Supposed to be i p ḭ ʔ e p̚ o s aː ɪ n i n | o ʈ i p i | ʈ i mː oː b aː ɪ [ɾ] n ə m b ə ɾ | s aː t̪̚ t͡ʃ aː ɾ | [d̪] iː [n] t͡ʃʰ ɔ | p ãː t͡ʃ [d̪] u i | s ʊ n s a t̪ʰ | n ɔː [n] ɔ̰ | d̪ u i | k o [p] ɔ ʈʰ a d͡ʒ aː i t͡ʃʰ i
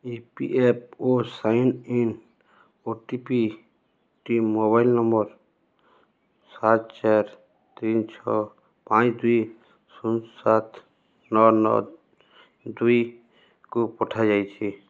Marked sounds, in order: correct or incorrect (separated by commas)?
incorrect, incorrect, correct, correct, correct, correct